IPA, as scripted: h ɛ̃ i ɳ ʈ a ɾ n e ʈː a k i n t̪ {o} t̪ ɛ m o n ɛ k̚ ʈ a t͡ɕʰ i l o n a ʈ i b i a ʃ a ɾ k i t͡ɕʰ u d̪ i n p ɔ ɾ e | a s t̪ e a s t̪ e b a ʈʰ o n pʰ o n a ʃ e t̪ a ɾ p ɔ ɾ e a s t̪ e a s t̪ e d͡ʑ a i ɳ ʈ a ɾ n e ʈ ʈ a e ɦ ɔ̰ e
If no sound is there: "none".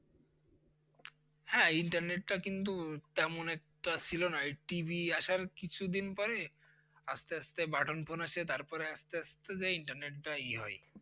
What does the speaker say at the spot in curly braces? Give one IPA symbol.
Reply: u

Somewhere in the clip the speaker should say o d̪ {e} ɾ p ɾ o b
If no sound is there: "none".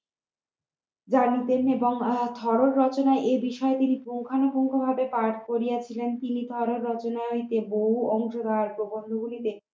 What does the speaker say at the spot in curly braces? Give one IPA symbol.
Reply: a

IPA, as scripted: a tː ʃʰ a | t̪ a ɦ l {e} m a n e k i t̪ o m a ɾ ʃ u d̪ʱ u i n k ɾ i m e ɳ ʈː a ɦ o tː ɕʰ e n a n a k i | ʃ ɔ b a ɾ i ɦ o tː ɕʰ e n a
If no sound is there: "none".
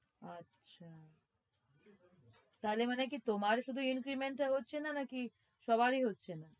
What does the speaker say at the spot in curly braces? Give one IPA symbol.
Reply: e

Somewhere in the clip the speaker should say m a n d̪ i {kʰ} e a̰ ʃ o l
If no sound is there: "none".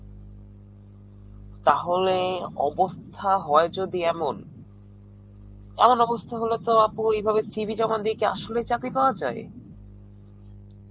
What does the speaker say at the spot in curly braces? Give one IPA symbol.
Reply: k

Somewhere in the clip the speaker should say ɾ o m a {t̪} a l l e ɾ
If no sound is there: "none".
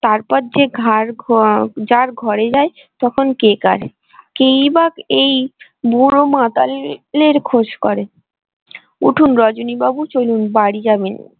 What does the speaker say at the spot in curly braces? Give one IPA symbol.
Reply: t̪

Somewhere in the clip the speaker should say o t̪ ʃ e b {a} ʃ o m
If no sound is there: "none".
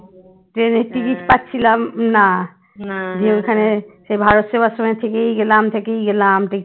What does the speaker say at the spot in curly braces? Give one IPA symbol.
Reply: a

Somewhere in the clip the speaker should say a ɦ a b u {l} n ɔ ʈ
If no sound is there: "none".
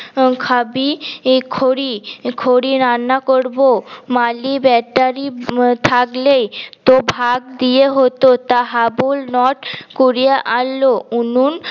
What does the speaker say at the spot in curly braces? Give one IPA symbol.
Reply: l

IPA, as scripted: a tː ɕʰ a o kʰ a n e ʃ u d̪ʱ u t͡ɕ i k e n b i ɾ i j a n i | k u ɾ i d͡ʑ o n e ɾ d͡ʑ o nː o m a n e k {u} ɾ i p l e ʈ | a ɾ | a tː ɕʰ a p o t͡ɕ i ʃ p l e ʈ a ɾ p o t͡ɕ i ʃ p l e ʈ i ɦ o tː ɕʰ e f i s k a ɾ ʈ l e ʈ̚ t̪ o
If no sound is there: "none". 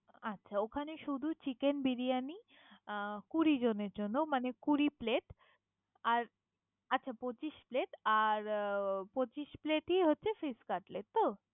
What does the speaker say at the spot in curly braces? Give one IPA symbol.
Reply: u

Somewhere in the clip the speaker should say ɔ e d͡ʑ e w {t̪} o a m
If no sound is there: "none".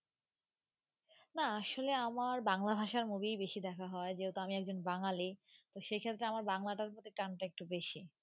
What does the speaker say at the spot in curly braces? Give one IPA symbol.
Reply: t̪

